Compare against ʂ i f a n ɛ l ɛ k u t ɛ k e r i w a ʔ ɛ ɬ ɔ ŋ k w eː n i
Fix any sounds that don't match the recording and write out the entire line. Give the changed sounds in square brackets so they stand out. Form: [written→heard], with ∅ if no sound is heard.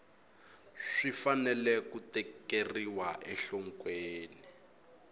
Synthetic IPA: ʂ i f a n ɛ l ɛ k u t ɛ k e r i w a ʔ ɛ ɬ ɔ ŋ k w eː n i